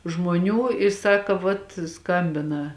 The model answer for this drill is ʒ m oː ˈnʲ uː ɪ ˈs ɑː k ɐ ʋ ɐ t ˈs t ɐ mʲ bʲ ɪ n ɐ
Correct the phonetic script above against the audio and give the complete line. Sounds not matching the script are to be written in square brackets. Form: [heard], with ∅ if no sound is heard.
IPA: ʒ m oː ˈnʲ uː ɪ ˈs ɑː k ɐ ʋ ɐ t ˈs [k] ɐ mʲ bʲ ɪ n ɐ